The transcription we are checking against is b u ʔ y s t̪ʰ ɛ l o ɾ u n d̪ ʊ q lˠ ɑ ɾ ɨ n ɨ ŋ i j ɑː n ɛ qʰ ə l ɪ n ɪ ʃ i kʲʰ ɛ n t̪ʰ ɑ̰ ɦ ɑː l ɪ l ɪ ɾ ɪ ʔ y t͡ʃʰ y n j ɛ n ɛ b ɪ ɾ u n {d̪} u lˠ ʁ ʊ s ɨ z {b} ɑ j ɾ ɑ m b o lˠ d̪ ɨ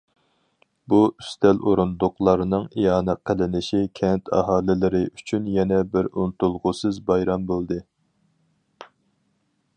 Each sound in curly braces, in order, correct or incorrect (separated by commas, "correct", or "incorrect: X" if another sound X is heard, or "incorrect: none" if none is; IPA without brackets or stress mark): incorrect: t̪, correct